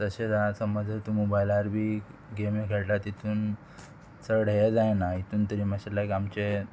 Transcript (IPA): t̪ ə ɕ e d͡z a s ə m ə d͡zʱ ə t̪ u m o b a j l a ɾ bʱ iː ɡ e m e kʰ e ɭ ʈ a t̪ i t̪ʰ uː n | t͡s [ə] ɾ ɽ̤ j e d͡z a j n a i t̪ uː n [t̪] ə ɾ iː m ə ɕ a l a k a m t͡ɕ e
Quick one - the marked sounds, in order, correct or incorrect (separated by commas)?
correct, correct